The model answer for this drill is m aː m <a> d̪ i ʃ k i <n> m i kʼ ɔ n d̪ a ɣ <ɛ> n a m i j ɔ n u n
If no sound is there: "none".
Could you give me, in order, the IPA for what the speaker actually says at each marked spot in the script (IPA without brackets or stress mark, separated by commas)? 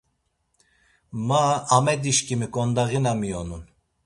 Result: ɛ, none, i